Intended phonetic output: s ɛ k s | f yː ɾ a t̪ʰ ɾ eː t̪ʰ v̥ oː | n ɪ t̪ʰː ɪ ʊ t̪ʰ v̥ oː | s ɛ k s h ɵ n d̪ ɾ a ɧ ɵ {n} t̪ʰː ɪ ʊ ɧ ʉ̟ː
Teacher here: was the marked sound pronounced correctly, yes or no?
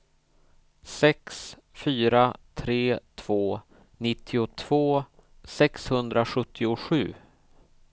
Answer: no